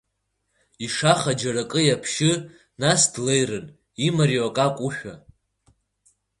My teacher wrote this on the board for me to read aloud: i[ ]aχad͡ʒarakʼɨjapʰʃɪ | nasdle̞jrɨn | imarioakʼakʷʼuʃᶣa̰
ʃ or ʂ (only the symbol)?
ʂ